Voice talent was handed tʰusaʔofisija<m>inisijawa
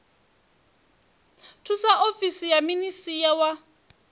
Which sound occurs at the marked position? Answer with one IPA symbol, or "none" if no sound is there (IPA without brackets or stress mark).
m